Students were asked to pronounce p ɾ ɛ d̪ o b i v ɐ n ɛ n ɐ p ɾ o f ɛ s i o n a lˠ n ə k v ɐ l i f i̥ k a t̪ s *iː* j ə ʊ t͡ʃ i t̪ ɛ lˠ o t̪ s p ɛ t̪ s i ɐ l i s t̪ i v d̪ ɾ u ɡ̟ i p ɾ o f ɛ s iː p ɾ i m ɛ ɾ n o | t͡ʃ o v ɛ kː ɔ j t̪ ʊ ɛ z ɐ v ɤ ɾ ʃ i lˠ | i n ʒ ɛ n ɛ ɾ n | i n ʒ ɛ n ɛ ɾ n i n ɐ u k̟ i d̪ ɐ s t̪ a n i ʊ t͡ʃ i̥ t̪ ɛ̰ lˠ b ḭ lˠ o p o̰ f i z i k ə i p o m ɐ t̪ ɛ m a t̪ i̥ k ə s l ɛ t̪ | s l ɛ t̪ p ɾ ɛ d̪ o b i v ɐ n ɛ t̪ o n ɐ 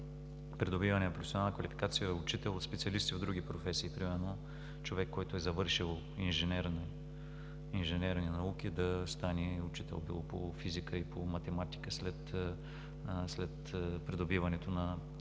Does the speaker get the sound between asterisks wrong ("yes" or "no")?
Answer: yes